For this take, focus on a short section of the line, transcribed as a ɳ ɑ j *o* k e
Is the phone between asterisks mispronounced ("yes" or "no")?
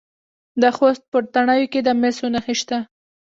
no